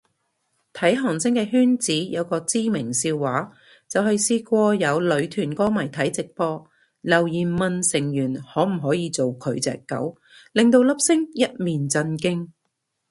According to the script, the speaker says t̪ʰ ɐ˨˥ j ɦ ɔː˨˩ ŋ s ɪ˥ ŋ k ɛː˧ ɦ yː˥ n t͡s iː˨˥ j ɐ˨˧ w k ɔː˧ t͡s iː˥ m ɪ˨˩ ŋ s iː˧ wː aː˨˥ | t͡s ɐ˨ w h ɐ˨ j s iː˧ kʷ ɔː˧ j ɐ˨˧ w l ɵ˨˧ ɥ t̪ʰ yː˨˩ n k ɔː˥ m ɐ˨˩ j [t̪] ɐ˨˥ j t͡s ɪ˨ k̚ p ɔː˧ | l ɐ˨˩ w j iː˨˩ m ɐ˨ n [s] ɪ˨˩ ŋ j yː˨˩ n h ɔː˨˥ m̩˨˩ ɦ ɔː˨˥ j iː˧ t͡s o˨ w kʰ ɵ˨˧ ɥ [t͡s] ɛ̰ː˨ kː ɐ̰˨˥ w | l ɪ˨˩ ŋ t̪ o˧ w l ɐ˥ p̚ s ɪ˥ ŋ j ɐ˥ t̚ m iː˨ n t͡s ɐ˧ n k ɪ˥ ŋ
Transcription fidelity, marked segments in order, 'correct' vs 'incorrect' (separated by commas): incorrect, correct, correct